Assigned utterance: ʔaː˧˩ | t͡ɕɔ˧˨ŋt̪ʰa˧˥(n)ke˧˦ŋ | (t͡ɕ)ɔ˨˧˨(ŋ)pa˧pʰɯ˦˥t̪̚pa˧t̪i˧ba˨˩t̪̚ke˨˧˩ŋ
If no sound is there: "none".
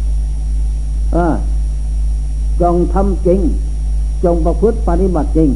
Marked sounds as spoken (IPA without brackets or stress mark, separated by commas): m, t͡ɕ, ŋ